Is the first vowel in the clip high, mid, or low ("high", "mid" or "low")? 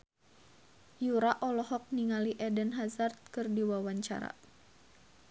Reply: high